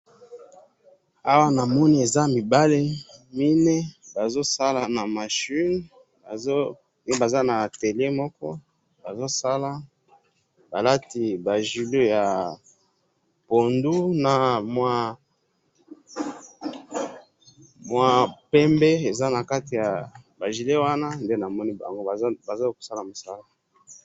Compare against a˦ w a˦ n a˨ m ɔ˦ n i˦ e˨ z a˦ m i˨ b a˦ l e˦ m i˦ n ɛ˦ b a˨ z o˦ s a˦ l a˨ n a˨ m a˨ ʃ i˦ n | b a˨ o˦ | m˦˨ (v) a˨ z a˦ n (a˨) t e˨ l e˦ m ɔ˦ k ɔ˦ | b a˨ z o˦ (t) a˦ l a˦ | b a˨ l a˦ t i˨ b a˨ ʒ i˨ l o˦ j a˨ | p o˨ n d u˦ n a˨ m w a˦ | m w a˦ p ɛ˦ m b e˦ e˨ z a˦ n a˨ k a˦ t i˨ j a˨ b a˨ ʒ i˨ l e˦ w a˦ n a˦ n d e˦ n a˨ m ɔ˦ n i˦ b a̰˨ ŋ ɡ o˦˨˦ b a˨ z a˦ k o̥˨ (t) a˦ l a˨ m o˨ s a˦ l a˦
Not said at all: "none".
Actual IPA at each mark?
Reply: b, a˨, s, s

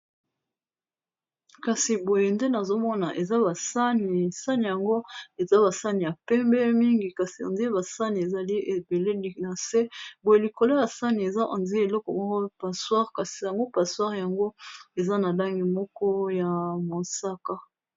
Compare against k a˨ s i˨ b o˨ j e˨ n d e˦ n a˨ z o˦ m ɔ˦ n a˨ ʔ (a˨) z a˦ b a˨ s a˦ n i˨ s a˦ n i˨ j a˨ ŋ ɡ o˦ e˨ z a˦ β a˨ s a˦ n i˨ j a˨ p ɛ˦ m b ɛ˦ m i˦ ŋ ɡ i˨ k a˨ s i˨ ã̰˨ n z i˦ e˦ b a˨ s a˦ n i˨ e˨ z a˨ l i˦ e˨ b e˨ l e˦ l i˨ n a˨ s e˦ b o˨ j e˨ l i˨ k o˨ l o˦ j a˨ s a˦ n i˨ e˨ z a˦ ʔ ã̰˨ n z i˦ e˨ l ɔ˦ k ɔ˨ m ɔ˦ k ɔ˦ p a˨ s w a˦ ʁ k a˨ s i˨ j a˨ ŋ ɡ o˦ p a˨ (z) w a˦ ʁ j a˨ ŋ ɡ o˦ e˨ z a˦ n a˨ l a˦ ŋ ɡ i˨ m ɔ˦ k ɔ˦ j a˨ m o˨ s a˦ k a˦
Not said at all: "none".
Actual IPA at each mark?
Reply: e˨, s

